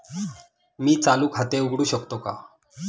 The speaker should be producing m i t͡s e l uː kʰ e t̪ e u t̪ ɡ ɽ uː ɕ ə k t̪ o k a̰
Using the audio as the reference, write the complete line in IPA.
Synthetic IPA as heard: m iː t͡s a l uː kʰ a t̪ e u ɡ ɽ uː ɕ ə k t̪ o k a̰